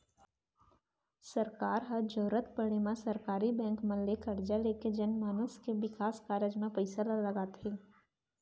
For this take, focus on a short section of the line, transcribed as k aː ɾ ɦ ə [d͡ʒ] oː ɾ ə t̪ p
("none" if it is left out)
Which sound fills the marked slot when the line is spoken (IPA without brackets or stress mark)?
d͡ʒ